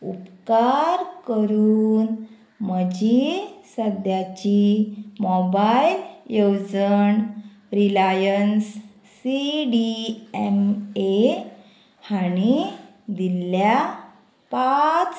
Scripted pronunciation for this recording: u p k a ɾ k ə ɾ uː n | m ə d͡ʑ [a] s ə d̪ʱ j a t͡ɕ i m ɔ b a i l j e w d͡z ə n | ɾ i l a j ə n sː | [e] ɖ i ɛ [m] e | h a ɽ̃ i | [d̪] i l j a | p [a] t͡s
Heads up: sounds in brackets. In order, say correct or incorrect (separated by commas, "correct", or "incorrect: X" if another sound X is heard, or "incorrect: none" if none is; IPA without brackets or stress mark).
incorrect: i, incorrect: i, correct, correct, correct